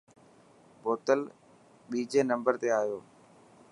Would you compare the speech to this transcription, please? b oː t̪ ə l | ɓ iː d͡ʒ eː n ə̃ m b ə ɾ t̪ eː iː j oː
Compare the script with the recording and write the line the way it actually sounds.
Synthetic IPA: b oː t̪ ə l | ɓ iː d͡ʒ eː n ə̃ m b ə ɾ t̪ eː aː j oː